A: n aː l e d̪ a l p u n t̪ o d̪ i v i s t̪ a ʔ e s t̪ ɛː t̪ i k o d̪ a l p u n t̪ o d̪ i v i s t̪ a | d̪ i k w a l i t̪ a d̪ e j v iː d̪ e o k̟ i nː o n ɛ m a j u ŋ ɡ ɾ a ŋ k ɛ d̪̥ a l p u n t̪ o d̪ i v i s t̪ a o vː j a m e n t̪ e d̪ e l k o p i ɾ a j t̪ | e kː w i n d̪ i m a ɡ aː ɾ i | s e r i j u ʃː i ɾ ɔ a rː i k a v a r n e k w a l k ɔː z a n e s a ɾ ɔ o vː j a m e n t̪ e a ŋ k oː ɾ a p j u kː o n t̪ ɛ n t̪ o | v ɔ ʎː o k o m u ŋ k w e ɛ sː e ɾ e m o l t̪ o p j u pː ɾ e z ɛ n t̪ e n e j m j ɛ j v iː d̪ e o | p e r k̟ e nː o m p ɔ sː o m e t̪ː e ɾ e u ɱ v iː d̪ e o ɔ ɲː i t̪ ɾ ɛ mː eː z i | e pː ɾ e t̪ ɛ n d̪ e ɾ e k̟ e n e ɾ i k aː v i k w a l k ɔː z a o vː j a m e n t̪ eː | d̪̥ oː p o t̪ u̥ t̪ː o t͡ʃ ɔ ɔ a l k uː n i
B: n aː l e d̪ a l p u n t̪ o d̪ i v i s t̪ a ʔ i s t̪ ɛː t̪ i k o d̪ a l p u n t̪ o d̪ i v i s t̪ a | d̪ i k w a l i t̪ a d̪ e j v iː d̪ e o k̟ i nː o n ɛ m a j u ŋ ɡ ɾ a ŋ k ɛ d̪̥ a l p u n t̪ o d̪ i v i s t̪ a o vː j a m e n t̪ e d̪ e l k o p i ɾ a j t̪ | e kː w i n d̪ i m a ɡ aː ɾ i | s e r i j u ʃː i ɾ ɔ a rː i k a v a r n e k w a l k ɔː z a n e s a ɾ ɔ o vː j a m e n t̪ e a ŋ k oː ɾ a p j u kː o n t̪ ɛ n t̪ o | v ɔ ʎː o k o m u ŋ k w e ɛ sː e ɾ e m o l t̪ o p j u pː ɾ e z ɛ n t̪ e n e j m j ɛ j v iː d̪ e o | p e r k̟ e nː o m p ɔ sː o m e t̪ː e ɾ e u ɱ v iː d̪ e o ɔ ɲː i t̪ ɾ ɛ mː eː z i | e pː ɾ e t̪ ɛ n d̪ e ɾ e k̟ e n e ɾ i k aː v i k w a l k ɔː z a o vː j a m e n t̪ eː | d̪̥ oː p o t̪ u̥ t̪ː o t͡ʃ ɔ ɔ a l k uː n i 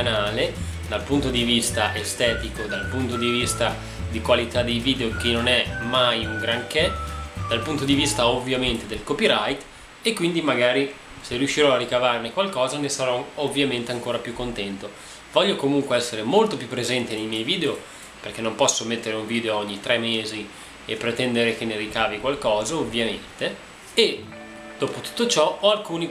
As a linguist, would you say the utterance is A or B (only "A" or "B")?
A